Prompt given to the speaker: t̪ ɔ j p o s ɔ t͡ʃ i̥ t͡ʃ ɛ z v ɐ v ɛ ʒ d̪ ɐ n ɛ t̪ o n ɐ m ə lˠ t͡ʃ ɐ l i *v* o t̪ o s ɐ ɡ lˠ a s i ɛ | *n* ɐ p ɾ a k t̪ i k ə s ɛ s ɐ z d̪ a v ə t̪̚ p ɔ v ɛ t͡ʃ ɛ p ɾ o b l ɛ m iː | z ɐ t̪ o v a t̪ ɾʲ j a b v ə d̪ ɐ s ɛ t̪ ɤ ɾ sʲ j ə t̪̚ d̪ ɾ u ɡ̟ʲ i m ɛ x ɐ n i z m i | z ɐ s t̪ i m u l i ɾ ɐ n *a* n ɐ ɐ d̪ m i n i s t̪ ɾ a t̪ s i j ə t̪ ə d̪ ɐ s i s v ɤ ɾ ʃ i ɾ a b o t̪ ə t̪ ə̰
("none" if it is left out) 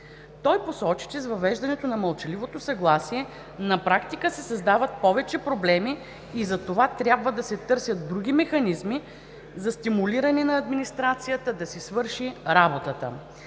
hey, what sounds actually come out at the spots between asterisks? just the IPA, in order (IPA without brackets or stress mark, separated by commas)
v, n, ɛ